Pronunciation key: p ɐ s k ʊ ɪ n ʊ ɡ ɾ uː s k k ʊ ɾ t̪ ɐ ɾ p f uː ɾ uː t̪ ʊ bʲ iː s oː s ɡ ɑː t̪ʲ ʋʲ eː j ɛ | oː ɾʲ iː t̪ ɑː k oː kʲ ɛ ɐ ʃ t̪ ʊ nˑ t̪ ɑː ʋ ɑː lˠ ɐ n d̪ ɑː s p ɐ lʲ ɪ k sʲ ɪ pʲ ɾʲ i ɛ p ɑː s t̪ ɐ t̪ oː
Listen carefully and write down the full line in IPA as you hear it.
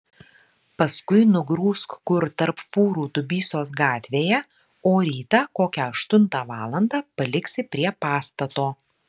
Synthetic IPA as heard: p ɐ s k ʊ ɪ n ʊ ɡ ɾ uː s k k ʊ ɾ t̪ ɐ ɾ p f uː ɾ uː t̪ ʊ bʲ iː s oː s ɡ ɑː t̪ʲ ʋʲ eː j ɛ | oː ɾʲ iː t̪ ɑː k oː kʲ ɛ ɐ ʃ t̪ ʊ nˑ t̪ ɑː ʋ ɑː lˠ ɐ n d̪ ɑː p ɐ lʲ ɪ k sʲ ɪ pʲ ɾʲ i ɛ p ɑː s t̪ ɐ t̪ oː

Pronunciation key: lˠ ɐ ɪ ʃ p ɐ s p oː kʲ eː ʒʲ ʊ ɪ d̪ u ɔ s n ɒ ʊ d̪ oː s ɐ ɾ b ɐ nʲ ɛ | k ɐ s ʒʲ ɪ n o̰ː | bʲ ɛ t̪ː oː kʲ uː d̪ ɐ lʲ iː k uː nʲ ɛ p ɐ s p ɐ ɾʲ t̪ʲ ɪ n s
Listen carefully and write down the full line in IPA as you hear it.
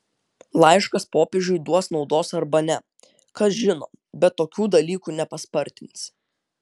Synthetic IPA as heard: lˠ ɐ ɪ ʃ k ɐ s p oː pʲ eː ʒʲ ʊ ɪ d̪ u ɔ s n ɒ ʊ d̪ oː s ɐ ɾ b ɐ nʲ ɛ | k ɐ s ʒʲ ɪ n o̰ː | bʲ ɛ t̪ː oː kʲ uː d̪ ɐ lʲ iː k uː nʲ ɛ p ɐ s p ɐ ɾʲ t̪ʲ ɪ n s

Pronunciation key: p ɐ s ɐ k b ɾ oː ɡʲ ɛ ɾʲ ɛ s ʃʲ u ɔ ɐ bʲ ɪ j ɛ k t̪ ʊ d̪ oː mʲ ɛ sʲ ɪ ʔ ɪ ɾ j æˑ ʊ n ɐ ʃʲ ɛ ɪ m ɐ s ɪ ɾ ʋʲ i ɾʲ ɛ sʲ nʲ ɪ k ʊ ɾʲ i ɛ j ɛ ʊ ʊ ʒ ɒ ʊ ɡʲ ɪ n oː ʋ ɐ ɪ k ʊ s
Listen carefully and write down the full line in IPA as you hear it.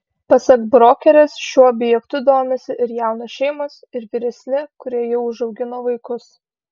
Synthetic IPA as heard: p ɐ s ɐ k b ɾ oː kʲ ɛ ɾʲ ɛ s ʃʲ u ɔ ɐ bʲ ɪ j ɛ k t̪ ʊ d̪ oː mʲ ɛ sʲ ɪ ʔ ɪ ɾ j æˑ ʊ n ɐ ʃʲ ɛ ɪ m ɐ s ɪ ɾ ʋʲ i ɾʲ ɛ sʲ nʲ ɪ k ʊ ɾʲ i ɛ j ɛ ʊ ʊ ʒ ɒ ʊ ɡʲ ɪ n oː ʋ ɐ ɪ k ʊ s

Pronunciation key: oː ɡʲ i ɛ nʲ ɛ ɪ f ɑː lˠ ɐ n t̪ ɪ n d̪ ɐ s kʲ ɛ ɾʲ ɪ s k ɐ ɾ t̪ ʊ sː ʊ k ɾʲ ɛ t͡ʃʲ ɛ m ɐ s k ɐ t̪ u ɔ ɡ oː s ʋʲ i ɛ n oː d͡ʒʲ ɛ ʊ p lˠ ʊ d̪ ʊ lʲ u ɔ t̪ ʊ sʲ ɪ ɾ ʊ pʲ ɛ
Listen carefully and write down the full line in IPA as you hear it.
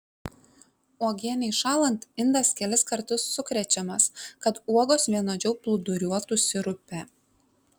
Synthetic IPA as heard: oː ɡʲ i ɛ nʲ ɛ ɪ ʃ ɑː lˠ ɐ n t̪ ɪ n d̪ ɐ s kʲ ɛ lʲ ɪ s k ɐ ɾ t̪ ʊ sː ʊ k ɾʲ ɛ t͡ʃʲ ɛ m ɐ s k ɐ t̪ u ɔ ɡ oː s ʋʲ i ɛ n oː d͡ʒʲ ɛ ʊ p lˠ ʊ d̪ ʊ ɾʲ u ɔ t̪ ʊ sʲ ɪ ɾ ʊ pʲ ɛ

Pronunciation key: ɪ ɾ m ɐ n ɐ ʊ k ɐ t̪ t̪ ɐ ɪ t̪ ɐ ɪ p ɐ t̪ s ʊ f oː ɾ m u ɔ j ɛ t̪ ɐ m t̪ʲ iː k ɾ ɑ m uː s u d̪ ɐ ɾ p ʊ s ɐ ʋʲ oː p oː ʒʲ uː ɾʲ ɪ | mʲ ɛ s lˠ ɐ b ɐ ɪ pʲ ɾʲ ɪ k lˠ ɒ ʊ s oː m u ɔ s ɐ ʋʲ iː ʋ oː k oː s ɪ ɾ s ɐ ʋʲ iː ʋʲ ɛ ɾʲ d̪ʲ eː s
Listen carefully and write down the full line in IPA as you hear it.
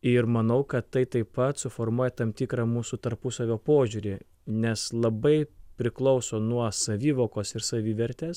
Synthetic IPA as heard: ɪ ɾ m ɐ n ɐ ʊ k ɐ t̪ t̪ ɐ ɪ t̪ ɐ ɪ p ɐ t̪ s ʊ f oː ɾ m u ɔ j ɛ t̪ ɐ m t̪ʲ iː k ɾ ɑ m uː s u t̪ ɐ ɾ p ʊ s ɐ ʋʲ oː p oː ʒʲ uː ɾʲ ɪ | nʲ ɛ s lˠ ɐ b ɐ ɪ pʲ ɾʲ ɪ k lˠ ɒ ʊ s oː n u ɔ s ɐ ʋʲ iː ʋ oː k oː s ɪ ɾ s ɐ ʋʲ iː ʋʲ ɛ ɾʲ t̪ʲ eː s

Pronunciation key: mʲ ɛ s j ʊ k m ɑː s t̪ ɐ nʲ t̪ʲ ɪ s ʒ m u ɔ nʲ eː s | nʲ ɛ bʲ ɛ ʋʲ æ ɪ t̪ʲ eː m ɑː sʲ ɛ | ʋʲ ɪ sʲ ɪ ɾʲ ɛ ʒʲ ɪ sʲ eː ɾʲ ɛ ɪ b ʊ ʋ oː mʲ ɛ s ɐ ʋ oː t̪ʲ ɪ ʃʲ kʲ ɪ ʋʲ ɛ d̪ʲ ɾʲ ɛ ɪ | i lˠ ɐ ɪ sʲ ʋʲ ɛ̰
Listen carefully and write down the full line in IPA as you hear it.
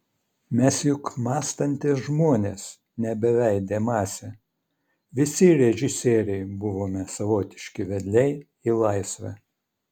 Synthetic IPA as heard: mʲ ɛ s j ʊ k m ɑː s t̪ ɐ nʲ t̪ʲ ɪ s ʒ m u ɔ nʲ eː s | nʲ ɛ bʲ ɛ ʋʲ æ ɪ d̪ʲ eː m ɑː sʲ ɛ | ʋʲ ɪ sʲ ɪ ɾʲ ɛ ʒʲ ɪ sʲ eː ɾʲ ɛ ɪ b ʊ ʋ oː mʲ ɛ s ɐ ʋ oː t̪ʲ ɪ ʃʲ kʲ ɪ ʋʲ ɛ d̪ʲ lʲ ɛ ɪ | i lˠ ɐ ɪ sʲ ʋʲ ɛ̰

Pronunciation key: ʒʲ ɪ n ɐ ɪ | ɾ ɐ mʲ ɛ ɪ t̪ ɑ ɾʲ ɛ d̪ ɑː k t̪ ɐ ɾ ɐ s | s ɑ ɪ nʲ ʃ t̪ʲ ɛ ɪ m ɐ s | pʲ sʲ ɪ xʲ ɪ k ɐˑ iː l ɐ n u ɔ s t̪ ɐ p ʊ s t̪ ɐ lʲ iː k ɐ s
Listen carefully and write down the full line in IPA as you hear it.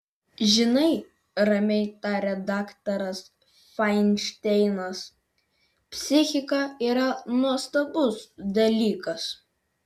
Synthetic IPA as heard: ʒʲ ɪ n ɐ ɪ | ɾ ɐ mʲ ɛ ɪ t̪ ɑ ɾʲ ɛ d̪ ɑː k t̪ ɐ ɾ ɐ s | f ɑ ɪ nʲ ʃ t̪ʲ ɛ ɪ n ɐ s | pʲ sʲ ɪ xʲ ɪ k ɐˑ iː ɾ ɐ n u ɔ s t̪ ɐ b ʊ s d̪ ɐ lʲ iː k ɐ s

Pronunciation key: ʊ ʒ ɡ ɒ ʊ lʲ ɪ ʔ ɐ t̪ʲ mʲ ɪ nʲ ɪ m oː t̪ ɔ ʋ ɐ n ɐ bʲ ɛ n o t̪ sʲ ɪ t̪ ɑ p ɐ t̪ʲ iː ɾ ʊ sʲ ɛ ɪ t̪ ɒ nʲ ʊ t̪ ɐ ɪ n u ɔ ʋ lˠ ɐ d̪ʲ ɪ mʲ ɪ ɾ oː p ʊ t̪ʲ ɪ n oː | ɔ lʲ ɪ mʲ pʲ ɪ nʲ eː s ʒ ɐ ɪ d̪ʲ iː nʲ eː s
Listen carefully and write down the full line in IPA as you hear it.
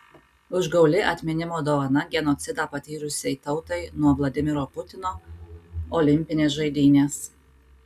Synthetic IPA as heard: ʊ ʒ ɡ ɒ ʊ lʲ ɪ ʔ ɐ t̪ʲ mʲ ɪ nʲ ɪ m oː d̪ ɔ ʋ ɐ n ɐ ɡʲ ɛ n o t̪ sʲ ɪ d̪ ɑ p ɐ t̪ʲ iː ɾ ʊ sʲ ɛ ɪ t̪ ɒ ʊ t̪ ɐ ɪ n u ɔ ʋ lˠ ɐ d̪ʲ ɪ mʲ ɪ ɾ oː p ʊ t̪ʲ ɪ n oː | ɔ lʲ ɪ mʲ pʲ ɪ nʲ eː s ʒ ɐ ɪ d̪ʲ iː nʲ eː s

